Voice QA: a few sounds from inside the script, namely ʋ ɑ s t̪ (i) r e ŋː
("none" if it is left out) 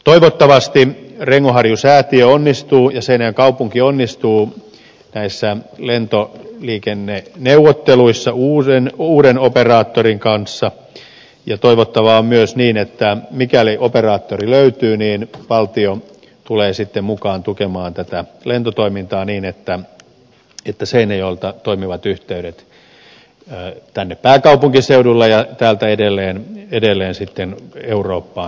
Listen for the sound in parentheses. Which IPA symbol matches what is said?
i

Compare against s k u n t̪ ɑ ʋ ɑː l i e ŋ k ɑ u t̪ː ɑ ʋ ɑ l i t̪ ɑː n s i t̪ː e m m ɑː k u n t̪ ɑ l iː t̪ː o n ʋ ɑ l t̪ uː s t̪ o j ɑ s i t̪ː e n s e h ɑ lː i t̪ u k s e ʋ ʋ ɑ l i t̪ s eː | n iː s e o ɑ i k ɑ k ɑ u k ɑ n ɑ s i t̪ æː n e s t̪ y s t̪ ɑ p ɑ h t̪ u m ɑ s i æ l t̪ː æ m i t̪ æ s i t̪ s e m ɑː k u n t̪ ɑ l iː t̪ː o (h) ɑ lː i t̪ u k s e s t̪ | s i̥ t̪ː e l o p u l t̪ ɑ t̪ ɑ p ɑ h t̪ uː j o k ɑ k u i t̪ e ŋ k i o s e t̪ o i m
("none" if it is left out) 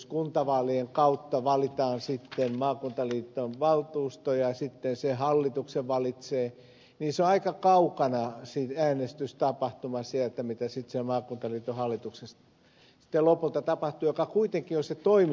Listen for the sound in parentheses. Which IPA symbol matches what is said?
h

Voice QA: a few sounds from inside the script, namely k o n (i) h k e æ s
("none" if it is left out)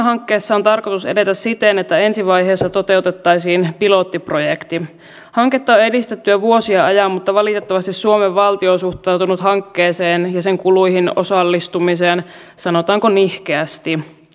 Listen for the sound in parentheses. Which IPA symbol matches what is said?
i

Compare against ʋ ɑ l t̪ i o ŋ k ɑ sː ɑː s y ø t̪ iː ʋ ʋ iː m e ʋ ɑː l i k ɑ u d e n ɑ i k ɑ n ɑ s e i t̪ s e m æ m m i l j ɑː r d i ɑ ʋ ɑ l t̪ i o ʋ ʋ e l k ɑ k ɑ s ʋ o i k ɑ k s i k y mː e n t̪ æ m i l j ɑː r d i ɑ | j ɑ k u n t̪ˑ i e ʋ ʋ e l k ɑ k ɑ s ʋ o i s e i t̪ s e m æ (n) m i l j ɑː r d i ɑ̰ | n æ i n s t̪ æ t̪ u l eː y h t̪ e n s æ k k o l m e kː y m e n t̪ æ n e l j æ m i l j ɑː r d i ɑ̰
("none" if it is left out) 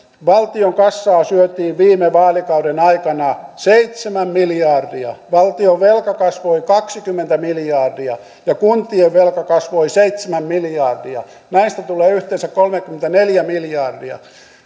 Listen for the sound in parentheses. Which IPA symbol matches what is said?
m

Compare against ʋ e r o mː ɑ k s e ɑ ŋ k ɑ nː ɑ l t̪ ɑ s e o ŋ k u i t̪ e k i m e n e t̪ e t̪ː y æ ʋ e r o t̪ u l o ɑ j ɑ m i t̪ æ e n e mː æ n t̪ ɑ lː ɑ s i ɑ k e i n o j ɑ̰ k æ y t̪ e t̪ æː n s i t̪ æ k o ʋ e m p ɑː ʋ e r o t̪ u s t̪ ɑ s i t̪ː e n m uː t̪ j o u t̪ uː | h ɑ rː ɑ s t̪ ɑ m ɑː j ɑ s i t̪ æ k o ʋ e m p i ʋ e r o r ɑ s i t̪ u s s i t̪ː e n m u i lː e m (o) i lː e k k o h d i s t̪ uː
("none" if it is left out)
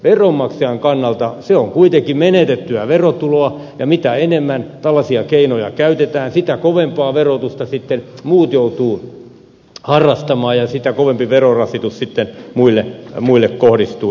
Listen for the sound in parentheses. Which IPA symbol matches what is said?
u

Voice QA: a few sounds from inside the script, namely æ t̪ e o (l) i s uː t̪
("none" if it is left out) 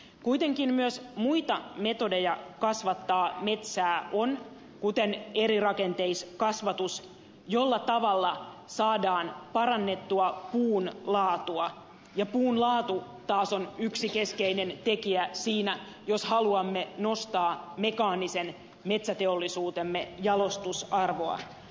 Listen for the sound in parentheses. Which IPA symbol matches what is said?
lː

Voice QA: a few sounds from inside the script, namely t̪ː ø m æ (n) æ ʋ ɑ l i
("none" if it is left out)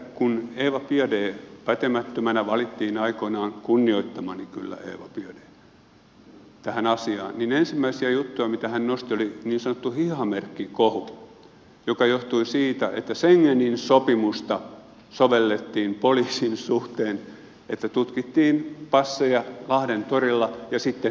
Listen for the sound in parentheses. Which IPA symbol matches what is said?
n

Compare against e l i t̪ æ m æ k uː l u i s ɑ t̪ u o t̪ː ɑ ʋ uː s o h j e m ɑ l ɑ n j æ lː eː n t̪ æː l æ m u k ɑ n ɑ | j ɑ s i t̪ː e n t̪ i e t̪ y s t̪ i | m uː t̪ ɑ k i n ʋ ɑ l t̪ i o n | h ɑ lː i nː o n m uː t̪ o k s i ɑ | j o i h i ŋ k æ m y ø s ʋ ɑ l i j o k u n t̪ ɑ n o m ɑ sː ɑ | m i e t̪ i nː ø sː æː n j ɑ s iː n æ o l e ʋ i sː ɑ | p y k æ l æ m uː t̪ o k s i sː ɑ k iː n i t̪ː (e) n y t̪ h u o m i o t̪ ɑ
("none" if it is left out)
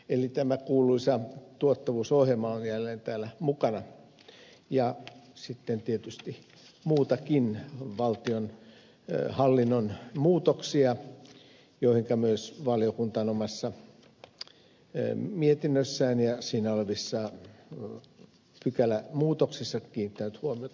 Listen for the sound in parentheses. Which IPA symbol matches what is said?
æ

